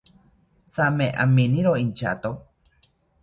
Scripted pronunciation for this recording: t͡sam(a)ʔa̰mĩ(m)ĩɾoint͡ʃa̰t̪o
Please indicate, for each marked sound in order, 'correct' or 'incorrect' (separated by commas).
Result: incorrect, incorrect